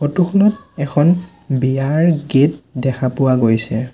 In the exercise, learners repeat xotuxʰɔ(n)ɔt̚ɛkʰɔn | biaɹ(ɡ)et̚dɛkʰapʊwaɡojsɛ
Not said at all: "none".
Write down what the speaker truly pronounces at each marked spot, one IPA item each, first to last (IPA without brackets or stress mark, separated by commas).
n, ɡ